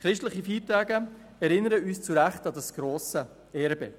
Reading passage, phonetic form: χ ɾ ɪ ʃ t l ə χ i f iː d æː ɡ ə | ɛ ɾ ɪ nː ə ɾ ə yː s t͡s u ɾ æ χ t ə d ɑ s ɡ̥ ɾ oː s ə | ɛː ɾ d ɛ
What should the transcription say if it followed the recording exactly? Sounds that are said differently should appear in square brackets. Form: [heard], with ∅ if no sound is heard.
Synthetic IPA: χ ɾ ɪ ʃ t l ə χ i f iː [t] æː ɡ ə | ɛ ɾ ɪ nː ə ɾ ə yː s t͡s u ɾ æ χ t [ɑ] d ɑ s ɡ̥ ɾ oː s ə | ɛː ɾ [b] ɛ